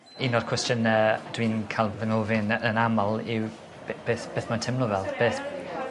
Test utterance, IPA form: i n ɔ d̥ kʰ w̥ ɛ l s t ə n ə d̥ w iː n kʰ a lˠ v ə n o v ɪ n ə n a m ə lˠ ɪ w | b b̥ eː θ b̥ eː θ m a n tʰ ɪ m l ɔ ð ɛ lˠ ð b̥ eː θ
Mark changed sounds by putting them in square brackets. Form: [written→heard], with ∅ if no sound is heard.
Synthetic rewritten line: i n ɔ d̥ kʰ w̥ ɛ [l→∅] s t ə n ə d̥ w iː n kʰ a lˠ v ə n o v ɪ n ə n a m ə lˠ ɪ w | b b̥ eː θ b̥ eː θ m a n tʰ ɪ m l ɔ [ð→v] ɛ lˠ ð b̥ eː θ